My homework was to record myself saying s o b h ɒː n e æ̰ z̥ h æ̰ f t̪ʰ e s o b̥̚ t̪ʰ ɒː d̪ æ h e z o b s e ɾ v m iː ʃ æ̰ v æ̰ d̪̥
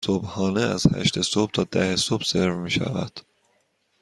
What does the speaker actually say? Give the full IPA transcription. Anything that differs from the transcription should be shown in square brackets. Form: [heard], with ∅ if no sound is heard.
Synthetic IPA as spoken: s o b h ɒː n e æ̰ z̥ h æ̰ [ʃ] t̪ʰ e s o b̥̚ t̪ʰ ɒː d̪ æ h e [s] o b s e ɾ v m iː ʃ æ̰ v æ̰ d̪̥